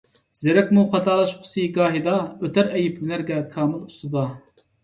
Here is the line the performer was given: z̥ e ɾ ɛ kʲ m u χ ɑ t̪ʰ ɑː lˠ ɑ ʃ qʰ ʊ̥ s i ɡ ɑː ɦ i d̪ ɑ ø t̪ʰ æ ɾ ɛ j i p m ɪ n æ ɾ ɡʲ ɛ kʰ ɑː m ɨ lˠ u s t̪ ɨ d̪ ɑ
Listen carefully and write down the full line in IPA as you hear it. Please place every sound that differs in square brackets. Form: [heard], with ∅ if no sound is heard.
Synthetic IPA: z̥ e ɾ ɛ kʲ m u χ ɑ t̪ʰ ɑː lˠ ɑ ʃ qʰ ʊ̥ s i ɡ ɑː ɦ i d̪ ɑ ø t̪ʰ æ ɾ ɛ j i p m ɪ n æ ɾ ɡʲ ɛ kʰ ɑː m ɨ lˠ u s t̪ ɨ d̪ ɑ